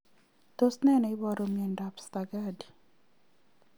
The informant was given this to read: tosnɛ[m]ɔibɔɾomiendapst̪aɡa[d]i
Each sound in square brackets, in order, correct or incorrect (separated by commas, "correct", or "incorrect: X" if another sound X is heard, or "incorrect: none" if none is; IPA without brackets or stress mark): incorrect: n, correct